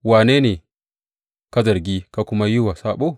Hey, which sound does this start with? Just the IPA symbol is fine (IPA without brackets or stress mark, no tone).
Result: w